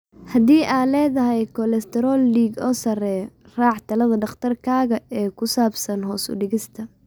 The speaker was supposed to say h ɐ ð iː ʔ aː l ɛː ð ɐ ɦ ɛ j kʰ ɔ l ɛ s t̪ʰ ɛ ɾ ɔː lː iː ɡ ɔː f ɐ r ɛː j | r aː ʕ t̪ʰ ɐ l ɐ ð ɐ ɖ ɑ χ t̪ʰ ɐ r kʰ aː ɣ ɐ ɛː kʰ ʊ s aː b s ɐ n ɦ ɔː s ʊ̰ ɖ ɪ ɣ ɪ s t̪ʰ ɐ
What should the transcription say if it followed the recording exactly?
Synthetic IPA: h ɐ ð iː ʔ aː l ɛː ð ɐ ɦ ɛ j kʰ ɔ l ɛ s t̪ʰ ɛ ɾ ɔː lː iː ɡ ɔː s ɐ r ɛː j | r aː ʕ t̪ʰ ɐ l ɐ ð ɐ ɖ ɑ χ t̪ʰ ɐ r kʰ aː ɣ ɐ ɛː kʰ ʊ s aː b s ɐ n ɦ ɔː s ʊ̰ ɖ ɪ ɣ ɪ s t̪ʰ ɐ